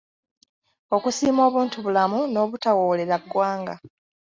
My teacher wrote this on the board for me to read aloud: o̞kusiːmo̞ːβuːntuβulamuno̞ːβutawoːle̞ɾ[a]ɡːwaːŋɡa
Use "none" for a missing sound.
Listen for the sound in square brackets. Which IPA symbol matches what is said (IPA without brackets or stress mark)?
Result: a